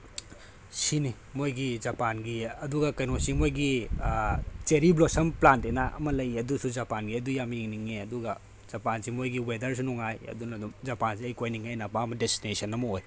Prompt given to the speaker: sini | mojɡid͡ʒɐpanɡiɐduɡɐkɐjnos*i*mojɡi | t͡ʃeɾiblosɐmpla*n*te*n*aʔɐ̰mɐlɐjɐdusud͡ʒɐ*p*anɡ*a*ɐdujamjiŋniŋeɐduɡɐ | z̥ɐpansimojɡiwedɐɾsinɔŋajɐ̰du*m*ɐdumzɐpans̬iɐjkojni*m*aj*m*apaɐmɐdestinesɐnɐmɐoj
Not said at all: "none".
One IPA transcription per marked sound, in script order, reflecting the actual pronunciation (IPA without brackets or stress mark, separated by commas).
i, n, n, p, i, n, ŋ, n